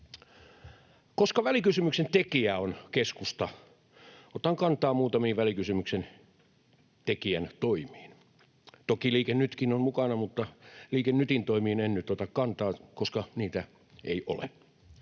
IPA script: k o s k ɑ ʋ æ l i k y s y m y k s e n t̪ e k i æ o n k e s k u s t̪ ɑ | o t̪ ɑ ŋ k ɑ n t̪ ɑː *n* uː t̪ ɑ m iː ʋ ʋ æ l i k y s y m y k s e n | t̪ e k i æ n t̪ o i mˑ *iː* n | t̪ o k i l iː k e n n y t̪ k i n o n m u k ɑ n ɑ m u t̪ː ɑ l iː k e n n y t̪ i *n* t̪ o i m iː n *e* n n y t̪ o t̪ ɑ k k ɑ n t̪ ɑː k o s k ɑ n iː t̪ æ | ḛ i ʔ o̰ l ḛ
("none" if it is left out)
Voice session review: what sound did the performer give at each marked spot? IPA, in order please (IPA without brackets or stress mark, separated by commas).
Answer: m, iː, n, e